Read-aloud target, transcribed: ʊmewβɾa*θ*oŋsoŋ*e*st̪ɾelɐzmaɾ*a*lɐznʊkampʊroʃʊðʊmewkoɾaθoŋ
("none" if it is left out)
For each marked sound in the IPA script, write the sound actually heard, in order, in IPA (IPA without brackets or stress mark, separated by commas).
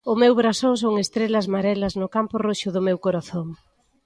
s, e, ɛ